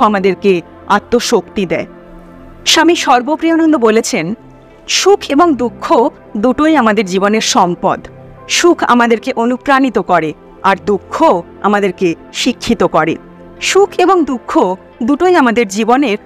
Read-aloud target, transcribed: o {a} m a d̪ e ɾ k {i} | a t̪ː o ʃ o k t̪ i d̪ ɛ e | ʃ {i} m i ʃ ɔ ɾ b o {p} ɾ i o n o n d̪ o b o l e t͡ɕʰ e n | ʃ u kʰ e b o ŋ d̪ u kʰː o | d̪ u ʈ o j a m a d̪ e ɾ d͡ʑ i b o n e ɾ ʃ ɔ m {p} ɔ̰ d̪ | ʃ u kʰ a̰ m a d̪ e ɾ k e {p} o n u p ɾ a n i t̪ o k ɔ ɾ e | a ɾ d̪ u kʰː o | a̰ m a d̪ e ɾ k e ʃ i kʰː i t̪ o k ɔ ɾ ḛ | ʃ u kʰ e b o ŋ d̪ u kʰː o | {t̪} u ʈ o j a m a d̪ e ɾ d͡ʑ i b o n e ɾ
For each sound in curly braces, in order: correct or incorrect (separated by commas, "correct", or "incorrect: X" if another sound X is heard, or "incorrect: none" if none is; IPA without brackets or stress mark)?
correct, incorrect: e, incorrect: a, correct, correct, incorrect: ʔ, incorrect: d̪